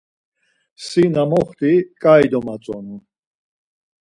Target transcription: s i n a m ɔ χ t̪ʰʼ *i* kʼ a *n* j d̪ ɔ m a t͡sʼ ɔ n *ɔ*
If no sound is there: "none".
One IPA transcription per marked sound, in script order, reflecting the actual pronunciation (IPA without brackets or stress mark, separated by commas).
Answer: i, none, u